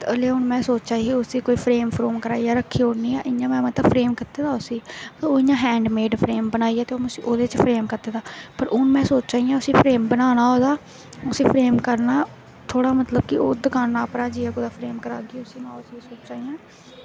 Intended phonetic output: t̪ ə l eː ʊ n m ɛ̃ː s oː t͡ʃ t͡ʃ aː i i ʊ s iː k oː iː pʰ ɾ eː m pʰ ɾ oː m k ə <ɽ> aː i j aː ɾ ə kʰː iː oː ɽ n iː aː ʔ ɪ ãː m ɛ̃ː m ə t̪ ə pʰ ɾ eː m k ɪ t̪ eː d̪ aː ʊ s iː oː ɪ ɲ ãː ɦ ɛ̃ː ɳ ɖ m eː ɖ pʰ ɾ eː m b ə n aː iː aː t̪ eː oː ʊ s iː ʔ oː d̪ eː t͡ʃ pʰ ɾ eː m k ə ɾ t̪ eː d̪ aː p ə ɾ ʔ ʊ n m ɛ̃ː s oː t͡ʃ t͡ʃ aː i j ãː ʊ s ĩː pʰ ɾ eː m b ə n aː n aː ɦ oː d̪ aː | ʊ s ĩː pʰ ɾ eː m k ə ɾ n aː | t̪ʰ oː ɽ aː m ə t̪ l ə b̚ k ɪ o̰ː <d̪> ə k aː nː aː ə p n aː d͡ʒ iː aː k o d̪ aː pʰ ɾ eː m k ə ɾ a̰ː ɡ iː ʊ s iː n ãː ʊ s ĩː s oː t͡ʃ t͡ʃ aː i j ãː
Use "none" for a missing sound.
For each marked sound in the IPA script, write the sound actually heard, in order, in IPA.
ɾ, d̪

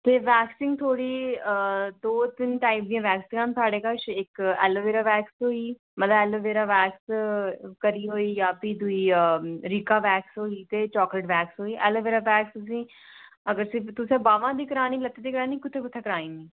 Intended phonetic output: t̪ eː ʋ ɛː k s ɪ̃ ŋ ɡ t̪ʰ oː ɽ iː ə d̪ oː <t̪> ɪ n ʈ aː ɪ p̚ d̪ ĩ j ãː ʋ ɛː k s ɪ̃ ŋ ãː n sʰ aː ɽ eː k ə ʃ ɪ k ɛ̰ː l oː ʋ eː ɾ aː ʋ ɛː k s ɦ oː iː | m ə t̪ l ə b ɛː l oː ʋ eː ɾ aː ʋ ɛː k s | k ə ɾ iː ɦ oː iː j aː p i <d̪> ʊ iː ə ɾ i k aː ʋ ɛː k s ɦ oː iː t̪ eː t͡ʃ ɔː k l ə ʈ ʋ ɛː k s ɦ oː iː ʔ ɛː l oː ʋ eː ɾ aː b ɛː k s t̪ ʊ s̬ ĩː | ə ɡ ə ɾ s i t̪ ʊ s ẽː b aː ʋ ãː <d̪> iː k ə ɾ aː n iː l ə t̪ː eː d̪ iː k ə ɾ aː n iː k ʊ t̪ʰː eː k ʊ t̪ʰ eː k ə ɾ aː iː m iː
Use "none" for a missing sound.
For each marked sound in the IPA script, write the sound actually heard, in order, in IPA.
t̪, d̪, d̪

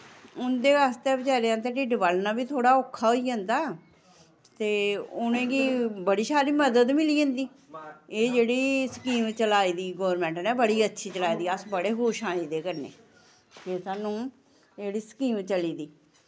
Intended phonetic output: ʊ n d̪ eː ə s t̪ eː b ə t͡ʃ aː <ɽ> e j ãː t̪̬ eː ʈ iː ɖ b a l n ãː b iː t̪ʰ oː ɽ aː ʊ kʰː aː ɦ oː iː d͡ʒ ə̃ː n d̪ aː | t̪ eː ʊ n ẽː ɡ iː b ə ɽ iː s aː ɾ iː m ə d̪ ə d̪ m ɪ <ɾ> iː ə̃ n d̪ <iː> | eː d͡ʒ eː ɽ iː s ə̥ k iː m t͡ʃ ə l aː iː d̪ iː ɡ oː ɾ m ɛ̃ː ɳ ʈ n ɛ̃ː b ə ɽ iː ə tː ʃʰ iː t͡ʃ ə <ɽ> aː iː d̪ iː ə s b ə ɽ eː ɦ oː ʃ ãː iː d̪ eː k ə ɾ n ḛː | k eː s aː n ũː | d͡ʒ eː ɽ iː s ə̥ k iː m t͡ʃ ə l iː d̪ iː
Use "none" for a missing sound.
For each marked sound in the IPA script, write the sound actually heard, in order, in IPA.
ɾ, l, iː, l

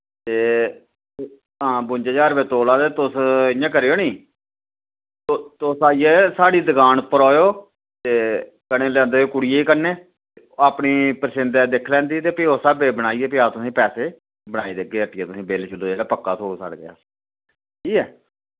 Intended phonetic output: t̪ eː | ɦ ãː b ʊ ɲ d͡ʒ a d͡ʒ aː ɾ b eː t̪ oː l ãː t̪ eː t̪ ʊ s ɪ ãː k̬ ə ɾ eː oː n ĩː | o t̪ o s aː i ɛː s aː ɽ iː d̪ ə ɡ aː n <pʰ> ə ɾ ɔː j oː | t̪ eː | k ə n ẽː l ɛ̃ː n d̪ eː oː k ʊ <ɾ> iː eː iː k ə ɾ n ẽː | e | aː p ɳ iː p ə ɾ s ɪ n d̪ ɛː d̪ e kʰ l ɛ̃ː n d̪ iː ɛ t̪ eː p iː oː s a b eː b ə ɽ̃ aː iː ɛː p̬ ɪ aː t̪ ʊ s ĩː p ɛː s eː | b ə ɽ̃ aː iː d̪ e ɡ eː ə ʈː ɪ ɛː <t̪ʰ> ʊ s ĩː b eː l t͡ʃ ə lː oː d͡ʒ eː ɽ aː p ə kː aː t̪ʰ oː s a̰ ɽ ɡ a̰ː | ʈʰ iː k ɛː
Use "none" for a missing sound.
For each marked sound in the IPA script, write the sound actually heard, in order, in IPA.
p, ɽ, t̪

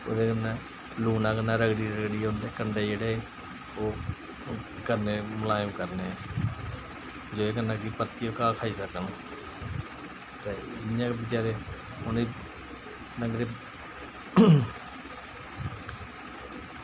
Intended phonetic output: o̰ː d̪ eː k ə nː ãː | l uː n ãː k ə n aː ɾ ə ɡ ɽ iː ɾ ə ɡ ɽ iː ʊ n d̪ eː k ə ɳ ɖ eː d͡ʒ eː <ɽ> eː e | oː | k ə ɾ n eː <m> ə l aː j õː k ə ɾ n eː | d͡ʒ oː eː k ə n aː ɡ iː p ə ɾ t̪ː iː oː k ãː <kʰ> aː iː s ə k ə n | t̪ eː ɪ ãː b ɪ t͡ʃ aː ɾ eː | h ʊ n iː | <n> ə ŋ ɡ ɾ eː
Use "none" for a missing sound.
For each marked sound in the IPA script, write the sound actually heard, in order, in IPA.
ɽ, m, kʰ, n

